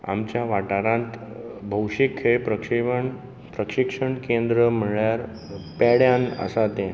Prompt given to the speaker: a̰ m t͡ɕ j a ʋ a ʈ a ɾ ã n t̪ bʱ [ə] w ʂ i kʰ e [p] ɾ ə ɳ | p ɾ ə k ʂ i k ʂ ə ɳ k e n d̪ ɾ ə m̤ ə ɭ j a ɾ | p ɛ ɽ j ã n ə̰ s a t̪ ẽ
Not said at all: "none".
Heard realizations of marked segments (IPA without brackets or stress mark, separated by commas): ə, p